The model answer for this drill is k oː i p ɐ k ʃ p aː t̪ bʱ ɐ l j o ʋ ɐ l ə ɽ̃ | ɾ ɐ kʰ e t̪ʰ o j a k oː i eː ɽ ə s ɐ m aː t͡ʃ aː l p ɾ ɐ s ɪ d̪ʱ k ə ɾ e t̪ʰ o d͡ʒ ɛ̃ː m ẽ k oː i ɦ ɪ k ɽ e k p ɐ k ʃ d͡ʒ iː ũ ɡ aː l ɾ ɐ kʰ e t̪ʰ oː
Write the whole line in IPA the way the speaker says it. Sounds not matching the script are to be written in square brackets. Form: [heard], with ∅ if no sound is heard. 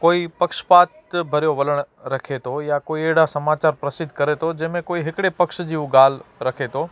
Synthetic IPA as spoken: k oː i p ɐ k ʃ p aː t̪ bʱ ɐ [ɾ] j o ʋ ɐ l ə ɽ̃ | ɾ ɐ kʰ e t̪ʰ o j a k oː i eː ɽ [a] s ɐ m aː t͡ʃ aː [ɾ] p ɾ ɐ s ɪ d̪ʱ k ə ɾ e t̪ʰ o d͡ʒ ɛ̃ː m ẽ k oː i ɦ ɪ k ɽ e [∅] p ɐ k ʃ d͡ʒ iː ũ ɡ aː l ɾ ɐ kʰ e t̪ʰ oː

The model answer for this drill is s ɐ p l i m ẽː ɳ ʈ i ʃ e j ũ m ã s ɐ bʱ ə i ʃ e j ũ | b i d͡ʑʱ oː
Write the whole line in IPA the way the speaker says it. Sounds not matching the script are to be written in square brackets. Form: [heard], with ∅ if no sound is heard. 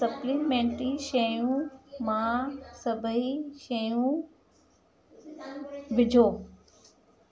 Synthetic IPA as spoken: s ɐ p l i m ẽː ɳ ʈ i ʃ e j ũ m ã s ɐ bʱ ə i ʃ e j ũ | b [ɪ] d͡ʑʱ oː

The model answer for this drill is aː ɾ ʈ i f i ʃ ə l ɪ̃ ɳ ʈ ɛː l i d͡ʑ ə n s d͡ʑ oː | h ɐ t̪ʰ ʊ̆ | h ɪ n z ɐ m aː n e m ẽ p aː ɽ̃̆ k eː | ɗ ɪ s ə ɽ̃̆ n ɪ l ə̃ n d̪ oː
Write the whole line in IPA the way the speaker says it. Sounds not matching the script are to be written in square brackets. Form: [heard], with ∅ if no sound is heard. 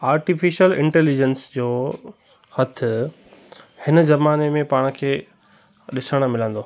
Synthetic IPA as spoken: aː ɾ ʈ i f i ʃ ə l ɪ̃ ɳ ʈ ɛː l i d͡ʑ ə n s d͡ʑ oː | h ɐ t̪ʰ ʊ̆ | h ɪ n z ɐ m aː n e m ẽ p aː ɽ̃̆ [kʰ] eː | ɗ ɪ s ə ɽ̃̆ [m] ɪ l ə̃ n d̪ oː

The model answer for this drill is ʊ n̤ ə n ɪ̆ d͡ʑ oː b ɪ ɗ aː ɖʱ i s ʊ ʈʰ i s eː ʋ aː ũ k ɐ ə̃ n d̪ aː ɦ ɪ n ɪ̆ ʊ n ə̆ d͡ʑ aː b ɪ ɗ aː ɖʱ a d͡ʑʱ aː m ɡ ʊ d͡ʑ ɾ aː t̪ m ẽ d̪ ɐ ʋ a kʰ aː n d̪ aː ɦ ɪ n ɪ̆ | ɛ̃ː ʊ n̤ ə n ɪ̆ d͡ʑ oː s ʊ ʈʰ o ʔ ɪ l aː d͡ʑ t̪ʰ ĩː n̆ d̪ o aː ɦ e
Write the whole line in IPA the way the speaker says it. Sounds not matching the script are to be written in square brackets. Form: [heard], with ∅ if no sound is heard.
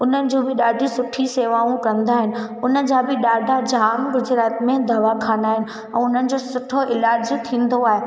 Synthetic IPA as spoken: ʊ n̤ ə n ɪ̆ d͡ʑ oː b ɪ ɗ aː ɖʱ i s ʊ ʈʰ i s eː ʋ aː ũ k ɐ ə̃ n d̪ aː ɦ ɪ n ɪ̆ ʊ n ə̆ d͡ʑ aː b ɪ ɗ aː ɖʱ a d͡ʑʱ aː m ɡ ʊ d͡ʑ ɾ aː t̪ m ẽ d̪ ɐ ʋ a kʰ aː n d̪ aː ɦ ɪ n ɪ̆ | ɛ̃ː ʊ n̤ ə n ɪ̆ d͡ʑ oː s ʊ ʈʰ o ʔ ɪ l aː d͡ʑ t̪ʰ ĩː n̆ d̪ o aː ɦ e

